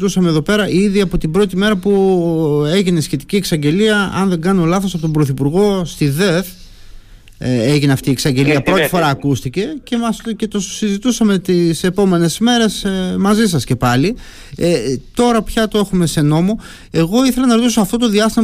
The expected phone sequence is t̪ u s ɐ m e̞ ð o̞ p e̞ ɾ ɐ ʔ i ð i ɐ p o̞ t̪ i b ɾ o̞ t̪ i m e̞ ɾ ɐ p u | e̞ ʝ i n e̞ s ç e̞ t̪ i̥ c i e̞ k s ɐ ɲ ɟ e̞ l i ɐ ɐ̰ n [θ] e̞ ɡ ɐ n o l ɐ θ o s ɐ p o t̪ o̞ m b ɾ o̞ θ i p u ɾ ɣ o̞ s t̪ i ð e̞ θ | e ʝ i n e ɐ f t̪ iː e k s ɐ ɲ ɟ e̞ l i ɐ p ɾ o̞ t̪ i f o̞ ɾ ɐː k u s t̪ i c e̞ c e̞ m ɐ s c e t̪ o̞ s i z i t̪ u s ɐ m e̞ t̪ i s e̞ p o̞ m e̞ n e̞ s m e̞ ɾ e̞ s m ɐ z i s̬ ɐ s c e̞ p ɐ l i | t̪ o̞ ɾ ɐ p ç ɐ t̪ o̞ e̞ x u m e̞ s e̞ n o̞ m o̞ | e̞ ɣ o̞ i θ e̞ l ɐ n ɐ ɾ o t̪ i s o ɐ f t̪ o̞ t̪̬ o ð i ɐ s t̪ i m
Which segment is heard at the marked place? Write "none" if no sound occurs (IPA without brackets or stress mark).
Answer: ð